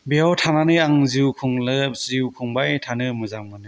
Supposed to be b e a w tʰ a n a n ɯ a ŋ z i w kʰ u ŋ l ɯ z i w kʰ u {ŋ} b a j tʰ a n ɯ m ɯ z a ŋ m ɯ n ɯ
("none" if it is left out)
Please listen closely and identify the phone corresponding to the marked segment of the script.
ŋ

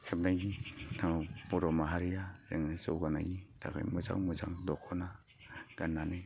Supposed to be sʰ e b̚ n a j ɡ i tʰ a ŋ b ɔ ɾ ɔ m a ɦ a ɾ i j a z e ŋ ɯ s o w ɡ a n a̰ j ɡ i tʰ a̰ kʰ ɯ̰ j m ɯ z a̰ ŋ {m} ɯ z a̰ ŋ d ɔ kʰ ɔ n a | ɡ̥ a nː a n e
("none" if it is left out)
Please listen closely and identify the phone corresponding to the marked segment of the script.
m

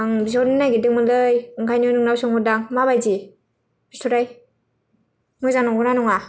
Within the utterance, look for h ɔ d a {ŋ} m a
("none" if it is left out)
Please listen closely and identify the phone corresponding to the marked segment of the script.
ŋ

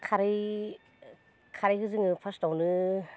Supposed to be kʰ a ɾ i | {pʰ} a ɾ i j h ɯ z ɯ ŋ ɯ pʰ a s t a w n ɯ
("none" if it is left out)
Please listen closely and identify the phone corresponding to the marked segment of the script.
kʰ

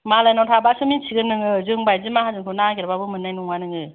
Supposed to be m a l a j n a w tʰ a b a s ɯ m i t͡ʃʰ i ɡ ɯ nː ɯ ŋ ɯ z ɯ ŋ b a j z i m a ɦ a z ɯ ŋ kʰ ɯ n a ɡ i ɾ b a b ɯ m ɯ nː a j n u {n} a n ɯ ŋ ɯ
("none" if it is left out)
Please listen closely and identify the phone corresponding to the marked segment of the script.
ŋ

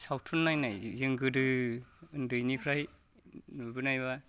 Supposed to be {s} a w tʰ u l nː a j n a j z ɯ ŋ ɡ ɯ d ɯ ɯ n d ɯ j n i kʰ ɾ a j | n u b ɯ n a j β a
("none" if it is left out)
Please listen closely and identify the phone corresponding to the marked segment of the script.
s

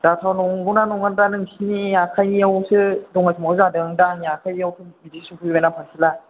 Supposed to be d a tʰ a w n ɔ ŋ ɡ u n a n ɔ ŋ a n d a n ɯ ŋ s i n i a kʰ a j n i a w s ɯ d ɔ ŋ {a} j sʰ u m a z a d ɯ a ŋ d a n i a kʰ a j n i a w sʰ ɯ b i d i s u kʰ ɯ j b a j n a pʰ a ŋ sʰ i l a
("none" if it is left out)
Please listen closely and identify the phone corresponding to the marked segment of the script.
a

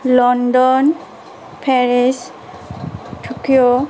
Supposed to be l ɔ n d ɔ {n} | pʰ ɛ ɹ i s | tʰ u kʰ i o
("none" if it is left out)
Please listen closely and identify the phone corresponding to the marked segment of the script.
n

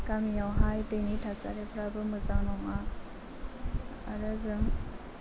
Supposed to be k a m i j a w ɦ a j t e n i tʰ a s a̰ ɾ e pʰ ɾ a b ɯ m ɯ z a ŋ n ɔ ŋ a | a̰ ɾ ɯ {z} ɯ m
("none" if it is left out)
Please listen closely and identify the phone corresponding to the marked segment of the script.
z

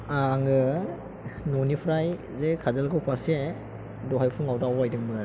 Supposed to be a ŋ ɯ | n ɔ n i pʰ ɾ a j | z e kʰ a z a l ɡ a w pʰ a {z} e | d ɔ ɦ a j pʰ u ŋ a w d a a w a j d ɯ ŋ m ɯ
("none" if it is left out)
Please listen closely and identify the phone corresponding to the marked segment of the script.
s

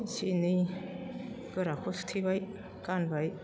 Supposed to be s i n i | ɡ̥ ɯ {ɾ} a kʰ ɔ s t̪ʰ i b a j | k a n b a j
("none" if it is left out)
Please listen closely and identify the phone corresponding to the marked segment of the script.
ɾ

